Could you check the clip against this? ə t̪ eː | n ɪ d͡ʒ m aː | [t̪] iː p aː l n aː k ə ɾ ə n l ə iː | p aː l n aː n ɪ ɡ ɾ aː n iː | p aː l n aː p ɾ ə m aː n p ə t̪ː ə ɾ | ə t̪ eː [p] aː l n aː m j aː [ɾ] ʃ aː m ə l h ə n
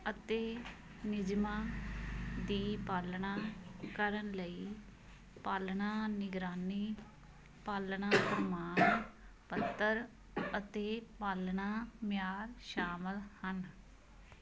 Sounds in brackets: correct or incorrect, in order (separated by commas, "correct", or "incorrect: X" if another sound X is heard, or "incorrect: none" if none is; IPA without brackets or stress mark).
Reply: incorrect: d̪, correct, correct